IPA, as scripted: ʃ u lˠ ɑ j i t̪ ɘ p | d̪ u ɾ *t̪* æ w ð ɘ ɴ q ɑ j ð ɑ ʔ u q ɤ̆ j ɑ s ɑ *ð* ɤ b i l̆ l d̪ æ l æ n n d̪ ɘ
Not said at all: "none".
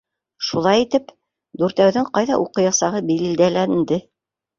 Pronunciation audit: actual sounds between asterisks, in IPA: t̪, ʁ

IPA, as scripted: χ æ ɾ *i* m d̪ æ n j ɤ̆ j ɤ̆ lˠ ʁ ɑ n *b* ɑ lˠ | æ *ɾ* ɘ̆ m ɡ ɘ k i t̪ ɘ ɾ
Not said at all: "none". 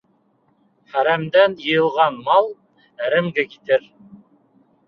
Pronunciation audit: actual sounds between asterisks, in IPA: æ, m, ɾ

